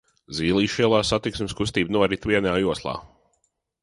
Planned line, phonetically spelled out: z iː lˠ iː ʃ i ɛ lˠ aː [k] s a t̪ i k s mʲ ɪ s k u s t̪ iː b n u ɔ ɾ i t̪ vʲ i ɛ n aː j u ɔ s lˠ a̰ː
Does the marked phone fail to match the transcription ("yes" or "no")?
yes